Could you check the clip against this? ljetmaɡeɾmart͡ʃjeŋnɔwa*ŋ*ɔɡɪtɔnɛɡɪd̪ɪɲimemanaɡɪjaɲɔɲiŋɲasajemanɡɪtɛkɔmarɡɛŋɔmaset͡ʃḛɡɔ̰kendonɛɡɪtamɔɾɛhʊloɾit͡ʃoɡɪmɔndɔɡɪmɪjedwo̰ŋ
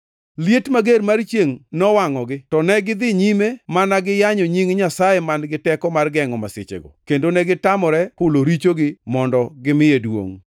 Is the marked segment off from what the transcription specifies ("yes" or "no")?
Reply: no